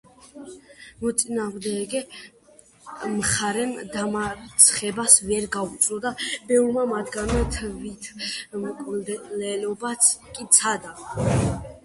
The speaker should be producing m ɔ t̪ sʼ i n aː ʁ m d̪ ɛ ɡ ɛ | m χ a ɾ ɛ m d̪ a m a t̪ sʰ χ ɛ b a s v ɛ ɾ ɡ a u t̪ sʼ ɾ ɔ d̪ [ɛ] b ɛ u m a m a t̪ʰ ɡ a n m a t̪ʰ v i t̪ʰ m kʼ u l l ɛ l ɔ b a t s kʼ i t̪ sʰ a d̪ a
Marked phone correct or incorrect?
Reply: incorrect